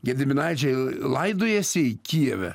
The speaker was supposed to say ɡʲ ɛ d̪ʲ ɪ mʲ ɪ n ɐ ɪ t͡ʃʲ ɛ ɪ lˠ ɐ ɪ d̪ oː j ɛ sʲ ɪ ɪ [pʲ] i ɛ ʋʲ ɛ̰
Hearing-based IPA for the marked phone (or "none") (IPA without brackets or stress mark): kʲ